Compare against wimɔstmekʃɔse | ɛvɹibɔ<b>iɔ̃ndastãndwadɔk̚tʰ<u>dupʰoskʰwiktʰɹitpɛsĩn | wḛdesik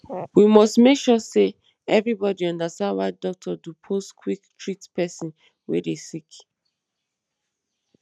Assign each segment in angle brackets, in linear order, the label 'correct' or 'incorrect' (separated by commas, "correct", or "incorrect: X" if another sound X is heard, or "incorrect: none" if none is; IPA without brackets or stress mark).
incorrect: d, incorrect: ɔ